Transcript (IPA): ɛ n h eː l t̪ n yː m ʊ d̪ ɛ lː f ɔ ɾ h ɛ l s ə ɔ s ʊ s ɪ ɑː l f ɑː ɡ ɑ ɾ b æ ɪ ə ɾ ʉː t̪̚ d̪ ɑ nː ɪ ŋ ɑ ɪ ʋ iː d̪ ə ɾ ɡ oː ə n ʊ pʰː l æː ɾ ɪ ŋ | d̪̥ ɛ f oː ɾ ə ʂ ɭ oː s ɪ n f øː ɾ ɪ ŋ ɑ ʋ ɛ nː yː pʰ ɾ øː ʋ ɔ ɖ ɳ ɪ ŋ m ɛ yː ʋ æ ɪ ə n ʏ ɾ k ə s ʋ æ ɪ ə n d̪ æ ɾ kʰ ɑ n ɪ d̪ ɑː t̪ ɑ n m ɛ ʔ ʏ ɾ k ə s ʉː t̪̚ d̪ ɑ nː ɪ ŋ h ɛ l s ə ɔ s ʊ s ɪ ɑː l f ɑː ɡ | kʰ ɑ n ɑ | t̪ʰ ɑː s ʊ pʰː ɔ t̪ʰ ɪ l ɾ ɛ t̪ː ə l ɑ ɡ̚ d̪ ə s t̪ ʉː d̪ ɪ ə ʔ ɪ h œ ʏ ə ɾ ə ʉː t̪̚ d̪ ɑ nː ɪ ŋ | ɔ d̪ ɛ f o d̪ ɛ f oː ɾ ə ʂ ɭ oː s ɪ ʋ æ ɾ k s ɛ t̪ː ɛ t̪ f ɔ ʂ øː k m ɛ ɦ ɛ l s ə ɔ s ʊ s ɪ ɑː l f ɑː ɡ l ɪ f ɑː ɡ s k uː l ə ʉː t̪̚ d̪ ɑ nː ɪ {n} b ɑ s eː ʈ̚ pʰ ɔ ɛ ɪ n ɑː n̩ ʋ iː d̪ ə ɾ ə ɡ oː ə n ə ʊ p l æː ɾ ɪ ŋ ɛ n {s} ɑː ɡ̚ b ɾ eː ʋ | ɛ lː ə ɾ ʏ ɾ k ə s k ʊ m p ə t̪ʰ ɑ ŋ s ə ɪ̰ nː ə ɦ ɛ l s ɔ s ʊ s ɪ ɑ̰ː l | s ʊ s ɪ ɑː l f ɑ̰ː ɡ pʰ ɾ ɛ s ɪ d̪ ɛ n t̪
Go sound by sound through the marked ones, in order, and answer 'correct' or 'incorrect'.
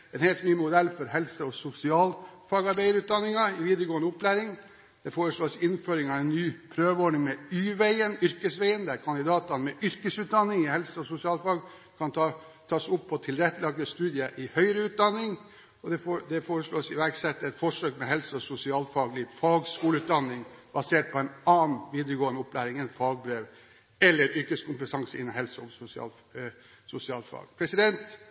incorrect, incorrect

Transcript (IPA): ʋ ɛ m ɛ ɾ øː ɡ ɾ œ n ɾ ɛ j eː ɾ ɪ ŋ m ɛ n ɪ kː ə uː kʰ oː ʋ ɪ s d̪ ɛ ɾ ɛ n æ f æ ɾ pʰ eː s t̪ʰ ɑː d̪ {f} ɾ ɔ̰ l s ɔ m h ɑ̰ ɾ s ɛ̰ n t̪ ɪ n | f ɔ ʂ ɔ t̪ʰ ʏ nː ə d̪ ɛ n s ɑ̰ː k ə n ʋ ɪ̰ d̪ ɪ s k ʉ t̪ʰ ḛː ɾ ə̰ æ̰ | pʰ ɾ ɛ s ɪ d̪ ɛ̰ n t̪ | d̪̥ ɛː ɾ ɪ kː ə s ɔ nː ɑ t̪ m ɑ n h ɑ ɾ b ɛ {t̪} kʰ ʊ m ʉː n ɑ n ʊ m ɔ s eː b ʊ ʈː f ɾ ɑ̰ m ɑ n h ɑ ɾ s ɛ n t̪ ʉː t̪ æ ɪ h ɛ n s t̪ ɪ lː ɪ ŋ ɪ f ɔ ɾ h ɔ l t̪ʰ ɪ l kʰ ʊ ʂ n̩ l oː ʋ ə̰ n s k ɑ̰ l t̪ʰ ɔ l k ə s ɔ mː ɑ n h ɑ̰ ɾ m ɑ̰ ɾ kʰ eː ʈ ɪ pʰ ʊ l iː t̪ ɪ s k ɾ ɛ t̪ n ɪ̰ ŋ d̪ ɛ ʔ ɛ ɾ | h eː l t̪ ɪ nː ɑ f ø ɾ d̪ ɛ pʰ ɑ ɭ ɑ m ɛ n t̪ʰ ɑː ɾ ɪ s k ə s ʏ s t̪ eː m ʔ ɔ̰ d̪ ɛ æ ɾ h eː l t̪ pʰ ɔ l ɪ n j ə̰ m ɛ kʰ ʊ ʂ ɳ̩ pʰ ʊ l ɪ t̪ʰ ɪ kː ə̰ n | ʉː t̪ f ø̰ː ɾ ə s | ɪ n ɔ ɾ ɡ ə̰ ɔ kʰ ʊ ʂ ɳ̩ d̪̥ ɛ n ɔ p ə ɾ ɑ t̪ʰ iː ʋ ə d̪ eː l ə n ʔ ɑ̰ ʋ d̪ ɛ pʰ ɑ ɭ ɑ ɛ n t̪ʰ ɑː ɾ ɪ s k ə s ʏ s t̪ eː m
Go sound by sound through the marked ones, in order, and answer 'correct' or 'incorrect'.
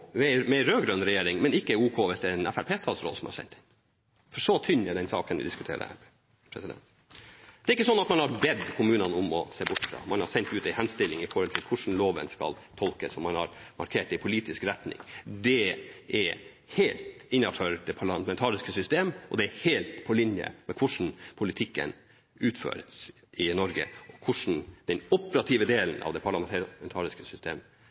incorrect, incorrect

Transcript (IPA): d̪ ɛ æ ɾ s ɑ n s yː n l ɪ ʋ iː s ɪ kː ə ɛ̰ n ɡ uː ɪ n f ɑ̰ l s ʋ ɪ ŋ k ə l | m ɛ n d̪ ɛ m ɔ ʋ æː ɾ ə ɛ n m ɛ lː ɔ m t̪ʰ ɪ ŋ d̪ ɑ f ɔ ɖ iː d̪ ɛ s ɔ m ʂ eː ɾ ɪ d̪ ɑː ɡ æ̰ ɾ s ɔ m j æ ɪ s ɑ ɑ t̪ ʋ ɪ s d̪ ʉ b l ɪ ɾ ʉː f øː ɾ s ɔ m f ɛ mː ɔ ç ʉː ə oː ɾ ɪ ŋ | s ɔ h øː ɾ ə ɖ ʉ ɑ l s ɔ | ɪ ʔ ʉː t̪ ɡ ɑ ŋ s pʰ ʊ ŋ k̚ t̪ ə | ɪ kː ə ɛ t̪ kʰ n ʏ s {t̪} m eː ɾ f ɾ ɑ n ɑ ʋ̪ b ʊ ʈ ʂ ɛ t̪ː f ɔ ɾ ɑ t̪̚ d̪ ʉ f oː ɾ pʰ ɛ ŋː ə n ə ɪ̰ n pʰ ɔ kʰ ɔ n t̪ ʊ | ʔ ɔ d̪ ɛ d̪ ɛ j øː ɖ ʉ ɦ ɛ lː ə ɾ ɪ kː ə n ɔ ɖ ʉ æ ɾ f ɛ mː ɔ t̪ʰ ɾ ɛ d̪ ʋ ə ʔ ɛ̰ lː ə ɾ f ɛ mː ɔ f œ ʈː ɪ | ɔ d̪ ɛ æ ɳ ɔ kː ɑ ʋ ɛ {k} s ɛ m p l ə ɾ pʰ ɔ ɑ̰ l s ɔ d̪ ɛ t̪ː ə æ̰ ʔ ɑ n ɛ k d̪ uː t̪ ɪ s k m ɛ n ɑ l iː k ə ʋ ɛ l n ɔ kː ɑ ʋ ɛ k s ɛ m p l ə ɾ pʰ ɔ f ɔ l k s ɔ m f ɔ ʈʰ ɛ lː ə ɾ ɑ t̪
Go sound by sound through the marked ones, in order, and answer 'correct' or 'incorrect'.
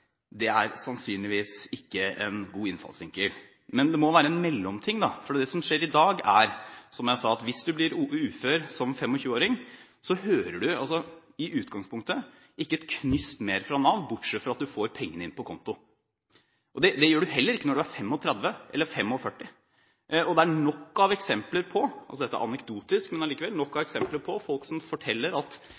correct, correct

